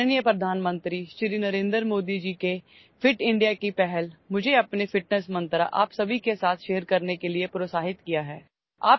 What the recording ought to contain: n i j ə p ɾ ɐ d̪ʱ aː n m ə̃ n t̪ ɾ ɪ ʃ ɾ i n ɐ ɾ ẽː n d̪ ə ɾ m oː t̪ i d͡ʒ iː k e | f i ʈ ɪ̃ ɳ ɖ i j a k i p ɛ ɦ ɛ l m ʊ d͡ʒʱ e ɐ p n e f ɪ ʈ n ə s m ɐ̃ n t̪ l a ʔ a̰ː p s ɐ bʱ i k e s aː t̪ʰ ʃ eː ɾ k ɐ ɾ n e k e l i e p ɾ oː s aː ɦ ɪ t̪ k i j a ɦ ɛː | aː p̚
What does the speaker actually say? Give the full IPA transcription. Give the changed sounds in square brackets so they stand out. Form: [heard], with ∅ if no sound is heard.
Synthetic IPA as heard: n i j ə p ɾ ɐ d̪ʱ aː n m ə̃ n t̪ ɾ [i] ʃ ɾ i n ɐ ɾ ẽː n d̪ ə ɾ m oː [d̪] i d͡ʒ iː k e | f [ɪ] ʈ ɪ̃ ɳ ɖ i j a k i p ɛ ɦ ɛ l m ʊ d͡ʒʱ e ɐ p n e f ɪ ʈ n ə s m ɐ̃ n t̪ [ɾ] a ʔ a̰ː p s ɐ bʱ i k e s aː t̪ʰ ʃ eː ɾ k ɐ ɾ n e k e l i e p ɾ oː s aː ɦ ɪ t̪ k i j a ɦ ɛː | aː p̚